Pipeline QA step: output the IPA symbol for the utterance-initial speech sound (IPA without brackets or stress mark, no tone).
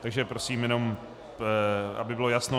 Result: t̪